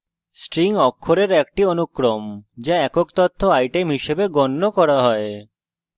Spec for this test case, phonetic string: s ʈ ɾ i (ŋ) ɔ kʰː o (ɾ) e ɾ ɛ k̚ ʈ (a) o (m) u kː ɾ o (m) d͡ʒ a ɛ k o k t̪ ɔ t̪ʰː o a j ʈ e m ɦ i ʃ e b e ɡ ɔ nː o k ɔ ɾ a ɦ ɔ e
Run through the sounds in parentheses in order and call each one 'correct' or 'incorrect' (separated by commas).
correct, correct, incorrect, incorrect, correct